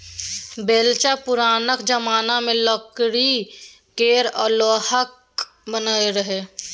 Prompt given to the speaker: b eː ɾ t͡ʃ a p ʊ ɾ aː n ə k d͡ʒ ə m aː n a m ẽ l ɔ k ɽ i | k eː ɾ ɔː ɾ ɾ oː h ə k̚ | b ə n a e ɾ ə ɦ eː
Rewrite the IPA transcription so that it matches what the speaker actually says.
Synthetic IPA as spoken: b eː l t͡ʃ a p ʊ ɾ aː n ə k d͡ʒ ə m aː n a m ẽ l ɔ k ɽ i | k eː ɾ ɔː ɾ l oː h ə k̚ | b ə n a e ɾ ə ɦ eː